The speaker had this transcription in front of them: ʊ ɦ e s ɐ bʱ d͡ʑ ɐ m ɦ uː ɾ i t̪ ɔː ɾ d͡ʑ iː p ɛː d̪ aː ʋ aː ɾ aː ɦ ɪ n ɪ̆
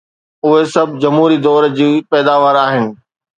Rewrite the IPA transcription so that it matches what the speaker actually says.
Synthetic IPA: ʊ ɦ e s ɐ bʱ d͡ʑ ɐ m ɦ uː ɾ i d̪ ɔː ɾ d͡ʑ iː p ɛː d̪ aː ʋ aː ɾ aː ɦ ɪ n ɪ̆

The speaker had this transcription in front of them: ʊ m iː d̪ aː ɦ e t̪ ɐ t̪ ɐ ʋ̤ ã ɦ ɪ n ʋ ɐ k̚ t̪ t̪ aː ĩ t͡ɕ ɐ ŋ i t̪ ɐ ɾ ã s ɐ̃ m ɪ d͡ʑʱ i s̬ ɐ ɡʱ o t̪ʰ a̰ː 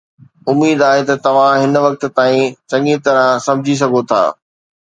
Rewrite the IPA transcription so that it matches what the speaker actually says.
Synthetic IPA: ʊ m iː d̪ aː ɦ e t̪ ɐ t̪ ɐ ʋ̤ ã ɦ ɪ n ʋ ɐ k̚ t̪ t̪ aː ĩ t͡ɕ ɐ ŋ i t̪ ɐ ɾ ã s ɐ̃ m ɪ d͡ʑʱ i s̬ ɐ ɡʱ o t̪ʰ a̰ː

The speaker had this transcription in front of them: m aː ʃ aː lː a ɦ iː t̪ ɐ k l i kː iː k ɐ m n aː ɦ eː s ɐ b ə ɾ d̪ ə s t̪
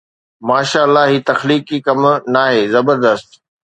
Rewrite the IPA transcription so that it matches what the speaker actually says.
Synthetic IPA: m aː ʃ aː lː a ɦ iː t̪ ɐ x l iː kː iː k ɐ m n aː ɦ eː z ɐ b ə ɾ d̪ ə s t̪

